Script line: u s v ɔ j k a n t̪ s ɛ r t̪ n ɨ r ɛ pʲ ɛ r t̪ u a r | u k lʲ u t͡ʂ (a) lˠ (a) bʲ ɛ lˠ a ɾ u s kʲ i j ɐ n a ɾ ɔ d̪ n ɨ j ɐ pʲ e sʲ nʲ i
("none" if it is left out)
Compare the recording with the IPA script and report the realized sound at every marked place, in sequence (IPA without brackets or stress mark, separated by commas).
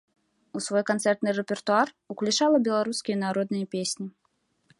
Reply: a, ɐ